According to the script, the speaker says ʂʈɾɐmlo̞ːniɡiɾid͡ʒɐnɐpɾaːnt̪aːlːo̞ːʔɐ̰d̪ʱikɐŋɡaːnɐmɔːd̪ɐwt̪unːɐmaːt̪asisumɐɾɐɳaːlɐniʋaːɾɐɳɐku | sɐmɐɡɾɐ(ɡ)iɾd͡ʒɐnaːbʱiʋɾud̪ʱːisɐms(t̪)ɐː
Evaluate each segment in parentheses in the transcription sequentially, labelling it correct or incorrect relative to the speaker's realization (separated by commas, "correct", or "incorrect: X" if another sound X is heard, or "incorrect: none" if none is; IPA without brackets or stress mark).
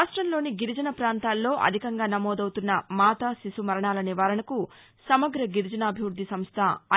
correct, incorrect: t̪ʰ